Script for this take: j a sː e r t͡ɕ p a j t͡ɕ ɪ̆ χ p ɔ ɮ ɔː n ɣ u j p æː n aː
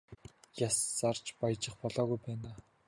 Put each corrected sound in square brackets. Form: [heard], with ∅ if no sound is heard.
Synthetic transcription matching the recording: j a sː [a] r t͡ɕ p a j t͡ɕ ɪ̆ χ p ɔ ɮ ɔː [∅] ɣ u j p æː n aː